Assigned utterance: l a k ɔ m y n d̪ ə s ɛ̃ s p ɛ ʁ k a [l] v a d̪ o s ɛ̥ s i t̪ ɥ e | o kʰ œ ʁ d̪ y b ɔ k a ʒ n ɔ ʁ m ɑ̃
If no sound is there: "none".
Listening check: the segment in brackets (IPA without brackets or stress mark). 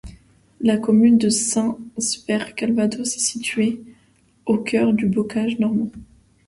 l